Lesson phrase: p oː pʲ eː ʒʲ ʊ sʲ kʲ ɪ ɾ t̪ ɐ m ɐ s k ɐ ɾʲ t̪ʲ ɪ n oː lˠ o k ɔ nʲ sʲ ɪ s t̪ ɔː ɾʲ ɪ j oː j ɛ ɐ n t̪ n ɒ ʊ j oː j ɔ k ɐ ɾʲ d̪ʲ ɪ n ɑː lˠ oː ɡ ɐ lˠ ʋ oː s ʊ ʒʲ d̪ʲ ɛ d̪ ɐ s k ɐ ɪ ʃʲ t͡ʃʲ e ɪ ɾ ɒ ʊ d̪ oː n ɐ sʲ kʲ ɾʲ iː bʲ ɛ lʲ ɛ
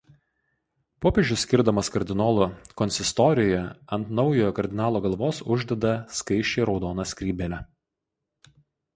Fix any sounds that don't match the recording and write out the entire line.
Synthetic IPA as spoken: p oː pʲ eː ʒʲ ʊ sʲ kʲ ɪ ɾ d̪ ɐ m ɐ s k ɐ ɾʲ d̪ʲ ɪ n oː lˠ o k ɔ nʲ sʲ ɪ s t̪ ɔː ɾʲ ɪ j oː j ɛ ɐ n t̪ n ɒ ʊ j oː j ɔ k ɐ ɾʲ d̪ʲ ɪ n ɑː lˠ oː ɡ ɐ lˠ ʋ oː s ʊ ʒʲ d̪ʲ ɛ d̪ ɐ s k ɐ ɪ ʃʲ t͡ʃʲ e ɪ ɾ ɒ ʊ d̪ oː n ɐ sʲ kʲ ɾʲ iː bʲ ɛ lʲ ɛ